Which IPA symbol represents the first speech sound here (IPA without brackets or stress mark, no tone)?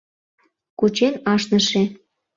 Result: k